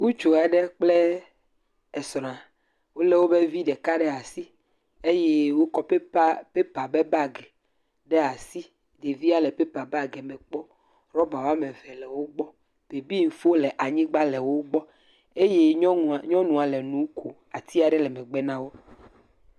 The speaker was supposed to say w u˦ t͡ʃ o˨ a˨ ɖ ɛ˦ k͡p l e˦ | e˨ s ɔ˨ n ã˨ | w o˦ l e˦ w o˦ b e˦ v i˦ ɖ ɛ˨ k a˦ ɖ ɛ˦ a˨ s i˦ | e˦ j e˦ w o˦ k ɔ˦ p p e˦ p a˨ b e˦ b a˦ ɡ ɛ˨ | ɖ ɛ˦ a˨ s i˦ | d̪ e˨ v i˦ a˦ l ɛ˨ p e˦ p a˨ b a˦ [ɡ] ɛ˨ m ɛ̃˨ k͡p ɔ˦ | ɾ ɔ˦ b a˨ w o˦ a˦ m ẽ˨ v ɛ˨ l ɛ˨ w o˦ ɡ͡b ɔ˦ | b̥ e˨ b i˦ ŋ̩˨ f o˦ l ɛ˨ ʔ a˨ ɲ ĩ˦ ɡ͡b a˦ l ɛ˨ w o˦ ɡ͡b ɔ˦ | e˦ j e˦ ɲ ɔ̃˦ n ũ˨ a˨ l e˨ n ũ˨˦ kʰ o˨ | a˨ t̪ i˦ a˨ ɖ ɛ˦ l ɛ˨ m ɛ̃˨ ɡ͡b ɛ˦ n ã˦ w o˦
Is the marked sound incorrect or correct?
correct